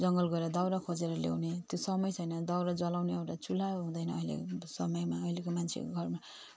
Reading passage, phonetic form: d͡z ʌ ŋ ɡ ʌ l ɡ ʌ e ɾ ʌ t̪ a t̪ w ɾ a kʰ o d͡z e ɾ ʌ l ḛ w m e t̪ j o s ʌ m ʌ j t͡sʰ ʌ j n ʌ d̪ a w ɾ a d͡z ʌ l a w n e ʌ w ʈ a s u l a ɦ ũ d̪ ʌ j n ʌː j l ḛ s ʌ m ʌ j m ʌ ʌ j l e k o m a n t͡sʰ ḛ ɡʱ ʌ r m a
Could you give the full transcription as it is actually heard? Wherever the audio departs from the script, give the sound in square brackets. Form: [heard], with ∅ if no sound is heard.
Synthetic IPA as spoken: d͡z ʌ ŋ ɡ ʌ l ɡ ʌ e ɾ ʌ [d̪] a [∅] w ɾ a kʰ o d͡z e ɾ ʌ l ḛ w [n] e t̪ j o s ʌ m ʌ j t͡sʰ ʌ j n ʌ d̪ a w ɾ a d͡z ʌ l a w n e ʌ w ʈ a [t͡s] u l a ɦ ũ d̪ ʌ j n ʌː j l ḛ s ʌ m ʌ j m [a] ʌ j l e k o m a n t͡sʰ ḛ ɡʱ ʌ r m a